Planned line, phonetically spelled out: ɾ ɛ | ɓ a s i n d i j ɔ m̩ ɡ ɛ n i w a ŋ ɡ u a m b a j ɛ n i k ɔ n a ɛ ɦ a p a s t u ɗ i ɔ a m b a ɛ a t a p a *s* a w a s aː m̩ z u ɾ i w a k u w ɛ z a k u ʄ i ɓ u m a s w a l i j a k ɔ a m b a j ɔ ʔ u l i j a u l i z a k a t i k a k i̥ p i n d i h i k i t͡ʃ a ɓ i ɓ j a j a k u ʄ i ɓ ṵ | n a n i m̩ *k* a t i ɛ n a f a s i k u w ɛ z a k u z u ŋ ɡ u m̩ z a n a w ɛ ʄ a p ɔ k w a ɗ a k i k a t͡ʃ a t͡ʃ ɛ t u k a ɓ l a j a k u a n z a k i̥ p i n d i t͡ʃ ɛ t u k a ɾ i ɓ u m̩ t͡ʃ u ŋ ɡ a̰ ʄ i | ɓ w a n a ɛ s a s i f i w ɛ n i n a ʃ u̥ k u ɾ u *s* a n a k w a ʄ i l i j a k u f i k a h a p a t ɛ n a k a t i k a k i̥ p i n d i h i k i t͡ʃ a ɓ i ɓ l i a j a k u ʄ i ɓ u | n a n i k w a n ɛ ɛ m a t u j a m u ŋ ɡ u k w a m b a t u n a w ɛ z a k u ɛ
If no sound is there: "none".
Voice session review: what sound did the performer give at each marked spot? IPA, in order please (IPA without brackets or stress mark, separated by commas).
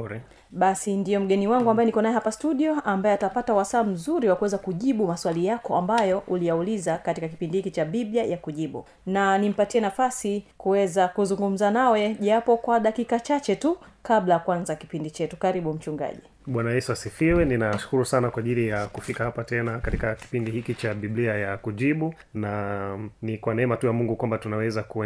t, p, s